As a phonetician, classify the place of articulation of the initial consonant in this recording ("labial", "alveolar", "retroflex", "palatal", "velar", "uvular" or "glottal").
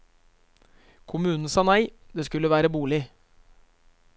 velar